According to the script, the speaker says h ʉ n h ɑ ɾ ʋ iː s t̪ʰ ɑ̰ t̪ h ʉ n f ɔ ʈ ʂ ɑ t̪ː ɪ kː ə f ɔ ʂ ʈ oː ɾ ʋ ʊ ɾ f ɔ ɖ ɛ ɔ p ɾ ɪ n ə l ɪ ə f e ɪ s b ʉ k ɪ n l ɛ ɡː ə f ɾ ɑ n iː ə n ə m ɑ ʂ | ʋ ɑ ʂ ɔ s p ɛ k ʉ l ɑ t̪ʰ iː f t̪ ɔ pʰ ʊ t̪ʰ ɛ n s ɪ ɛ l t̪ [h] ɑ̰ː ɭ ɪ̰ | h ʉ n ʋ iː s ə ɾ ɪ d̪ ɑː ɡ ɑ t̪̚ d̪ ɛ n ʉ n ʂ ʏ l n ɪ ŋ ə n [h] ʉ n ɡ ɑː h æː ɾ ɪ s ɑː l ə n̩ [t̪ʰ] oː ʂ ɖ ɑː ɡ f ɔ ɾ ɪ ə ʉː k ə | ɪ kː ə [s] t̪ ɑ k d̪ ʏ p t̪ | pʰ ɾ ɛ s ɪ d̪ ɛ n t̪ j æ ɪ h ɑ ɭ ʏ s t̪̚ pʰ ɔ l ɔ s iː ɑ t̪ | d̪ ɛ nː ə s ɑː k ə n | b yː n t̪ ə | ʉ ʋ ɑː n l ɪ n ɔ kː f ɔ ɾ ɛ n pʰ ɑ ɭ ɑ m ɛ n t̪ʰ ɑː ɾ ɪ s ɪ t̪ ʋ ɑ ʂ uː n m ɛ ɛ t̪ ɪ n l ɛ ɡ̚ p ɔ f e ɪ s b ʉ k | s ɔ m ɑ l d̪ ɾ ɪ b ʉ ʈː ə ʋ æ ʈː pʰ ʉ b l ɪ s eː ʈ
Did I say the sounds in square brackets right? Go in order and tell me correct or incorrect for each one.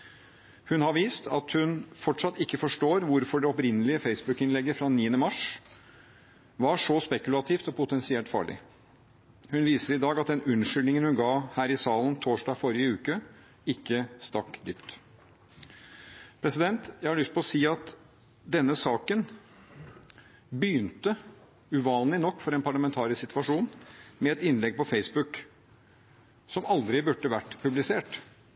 incorrect: f, correct, correct, correct

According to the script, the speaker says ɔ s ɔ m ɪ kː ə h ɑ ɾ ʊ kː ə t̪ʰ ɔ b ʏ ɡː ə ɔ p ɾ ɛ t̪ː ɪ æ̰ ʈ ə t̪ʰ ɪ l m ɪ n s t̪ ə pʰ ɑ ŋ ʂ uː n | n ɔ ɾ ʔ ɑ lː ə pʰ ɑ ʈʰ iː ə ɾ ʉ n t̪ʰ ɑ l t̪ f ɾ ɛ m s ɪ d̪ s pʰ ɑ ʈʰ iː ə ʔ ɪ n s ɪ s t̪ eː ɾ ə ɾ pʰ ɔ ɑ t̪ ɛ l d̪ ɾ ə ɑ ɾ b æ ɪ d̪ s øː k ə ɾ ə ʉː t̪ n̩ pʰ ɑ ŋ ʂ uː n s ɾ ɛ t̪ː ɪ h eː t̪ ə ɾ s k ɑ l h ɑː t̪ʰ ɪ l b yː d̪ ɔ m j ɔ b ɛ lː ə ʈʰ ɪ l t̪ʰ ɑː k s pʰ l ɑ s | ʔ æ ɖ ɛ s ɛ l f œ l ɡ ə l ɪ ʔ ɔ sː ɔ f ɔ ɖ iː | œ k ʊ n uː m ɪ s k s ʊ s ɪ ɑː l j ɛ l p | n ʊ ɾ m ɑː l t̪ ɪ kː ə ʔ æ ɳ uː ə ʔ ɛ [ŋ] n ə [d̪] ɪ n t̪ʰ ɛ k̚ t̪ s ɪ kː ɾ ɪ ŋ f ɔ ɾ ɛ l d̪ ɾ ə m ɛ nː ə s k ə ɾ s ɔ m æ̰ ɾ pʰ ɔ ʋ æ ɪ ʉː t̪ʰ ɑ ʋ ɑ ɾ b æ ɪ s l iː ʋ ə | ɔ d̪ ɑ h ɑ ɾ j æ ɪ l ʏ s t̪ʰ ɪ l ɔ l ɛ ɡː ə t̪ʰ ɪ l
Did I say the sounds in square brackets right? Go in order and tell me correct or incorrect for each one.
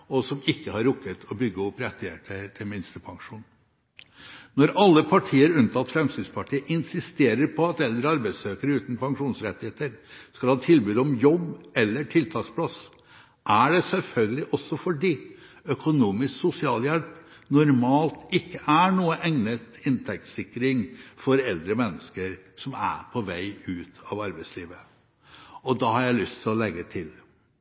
correct, incorrect: t̪

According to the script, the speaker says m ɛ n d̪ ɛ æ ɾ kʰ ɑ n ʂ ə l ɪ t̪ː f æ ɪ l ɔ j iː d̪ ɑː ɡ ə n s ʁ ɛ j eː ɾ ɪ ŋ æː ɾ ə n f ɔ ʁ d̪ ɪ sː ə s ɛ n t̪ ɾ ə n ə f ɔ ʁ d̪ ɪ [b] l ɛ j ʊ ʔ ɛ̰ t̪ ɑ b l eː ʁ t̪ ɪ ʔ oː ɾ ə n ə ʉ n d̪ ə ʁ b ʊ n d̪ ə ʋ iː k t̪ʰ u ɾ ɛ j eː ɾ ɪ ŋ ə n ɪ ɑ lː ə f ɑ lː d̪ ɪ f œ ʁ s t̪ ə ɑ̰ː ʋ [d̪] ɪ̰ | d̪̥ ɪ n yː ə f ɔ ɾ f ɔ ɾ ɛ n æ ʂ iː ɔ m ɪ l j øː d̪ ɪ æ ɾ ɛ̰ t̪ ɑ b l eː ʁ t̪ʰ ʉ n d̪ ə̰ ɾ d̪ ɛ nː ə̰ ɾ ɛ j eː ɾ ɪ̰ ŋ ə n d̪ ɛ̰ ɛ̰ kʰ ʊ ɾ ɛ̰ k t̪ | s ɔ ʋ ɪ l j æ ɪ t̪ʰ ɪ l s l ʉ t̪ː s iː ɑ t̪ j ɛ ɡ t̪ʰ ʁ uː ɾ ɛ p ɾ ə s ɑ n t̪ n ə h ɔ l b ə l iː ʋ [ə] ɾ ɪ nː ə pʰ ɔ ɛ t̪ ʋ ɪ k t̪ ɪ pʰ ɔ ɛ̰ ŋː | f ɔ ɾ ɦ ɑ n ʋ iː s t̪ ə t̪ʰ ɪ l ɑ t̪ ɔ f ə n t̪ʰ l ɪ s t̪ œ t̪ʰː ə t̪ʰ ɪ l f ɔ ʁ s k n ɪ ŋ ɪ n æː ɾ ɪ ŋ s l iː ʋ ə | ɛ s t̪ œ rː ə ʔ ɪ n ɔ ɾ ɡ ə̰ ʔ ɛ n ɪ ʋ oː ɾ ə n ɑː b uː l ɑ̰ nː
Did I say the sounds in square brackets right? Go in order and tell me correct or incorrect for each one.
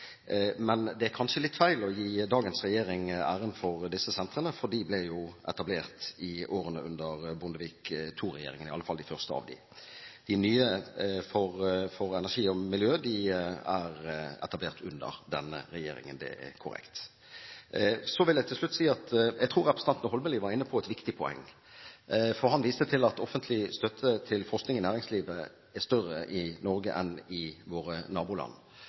correct, correct, incorrect: ɑ

